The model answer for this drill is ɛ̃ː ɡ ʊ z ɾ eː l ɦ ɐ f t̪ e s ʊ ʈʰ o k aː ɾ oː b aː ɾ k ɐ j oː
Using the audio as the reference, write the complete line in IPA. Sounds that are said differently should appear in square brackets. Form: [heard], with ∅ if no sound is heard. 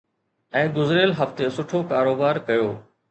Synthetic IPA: ɛ̃ː ɡ ʊ z ɾ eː l ɦ ɐ f t̪ e s ʊ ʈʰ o k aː ɾ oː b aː ɾ k ɐ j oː